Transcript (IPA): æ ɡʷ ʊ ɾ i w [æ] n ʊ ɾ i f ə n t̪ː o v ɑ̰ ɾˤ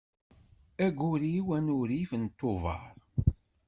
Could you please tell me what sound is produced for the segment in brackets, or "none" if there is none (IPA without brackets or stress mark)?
æ